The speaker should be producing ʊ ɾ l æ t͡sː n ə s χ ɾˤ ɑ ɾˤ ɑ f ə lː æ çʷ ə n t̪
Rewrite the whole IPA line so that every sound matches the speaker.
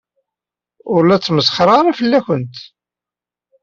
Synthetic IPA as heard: ʊ ɾ l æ t͡sː m ə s χ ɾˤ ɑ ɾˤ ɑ f ə lː æ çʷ ə n t̪